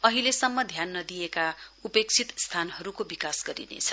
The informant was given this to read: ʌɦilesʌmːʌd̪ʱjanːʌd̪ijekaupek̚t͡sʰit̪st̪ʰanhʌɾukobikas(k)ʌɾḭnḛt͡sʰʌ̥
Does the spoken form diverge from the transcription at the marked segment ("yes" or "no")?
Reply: yes